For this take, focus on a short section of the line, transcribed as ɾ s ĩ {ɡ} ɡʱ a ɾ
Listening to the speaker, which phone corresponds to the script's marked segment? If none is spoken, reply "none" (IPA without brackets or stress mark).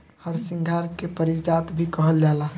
ŋ